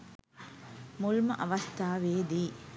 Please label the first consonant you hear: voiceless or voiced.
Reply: voiced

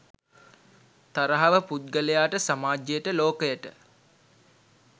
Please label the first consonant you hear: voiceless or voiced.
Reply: voiceless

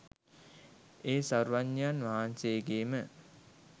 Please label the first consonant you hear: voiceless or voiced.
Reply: voiceless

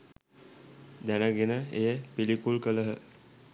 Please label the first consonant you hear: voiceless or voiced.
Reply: voiced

